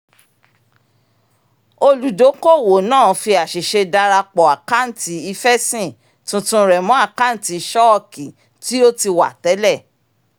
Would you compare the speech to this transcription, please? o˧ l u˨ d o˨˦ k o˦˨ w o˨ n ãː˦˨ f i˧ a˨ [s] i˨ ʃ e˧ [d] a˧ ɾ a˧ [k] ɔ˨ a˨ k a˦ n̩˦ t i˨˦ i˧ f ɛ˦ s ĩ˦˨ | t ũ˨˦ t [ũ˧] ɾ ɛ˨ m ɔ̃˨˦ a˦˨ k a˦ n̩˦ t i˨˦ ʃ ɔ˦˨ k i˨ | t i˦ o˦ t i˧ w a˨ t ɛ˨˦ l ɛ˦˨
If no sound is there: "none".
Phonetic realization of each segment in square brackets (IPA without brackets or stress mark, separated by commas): ʃ, d, k͡p, ũ˧